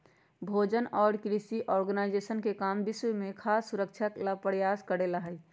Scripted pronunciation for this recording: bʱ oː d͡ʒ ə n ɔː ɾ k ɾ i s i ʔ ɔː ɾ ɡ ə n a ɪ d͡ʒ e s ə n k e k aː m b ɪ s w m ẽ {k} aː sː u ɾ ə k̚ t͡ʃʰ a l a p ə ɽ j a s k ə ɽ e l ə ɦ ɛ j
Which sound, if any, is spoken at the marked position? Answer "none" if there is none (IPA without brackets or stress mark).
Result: kʰ